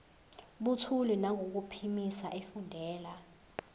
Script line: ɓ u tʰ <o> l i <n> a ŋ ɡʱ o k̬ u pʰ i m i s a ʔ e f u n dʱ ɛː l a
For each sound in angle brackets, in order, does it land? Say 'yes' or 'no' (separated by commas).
no, yes